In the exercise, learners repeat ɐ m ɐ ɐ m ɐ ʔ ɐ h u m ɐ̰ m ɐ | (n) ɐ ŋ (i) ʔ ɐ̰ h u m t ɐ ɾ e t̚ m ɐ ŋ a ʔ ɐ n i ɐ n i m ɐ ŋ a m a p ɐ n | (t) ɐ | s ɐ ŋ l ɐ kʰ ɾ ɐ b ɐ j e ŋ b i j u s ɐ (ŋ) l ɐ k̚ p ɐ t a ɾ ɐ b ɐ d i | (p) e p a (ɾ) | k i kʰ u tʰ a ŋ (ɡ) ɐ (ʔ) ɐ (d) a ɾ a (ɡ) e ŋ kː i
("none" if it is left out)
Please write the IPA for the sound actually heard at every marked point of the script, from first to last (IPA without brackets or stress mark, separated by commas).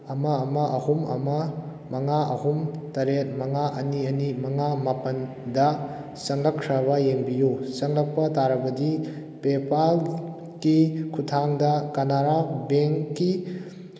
m, a, d, ŋ, p, l, d, k, n, b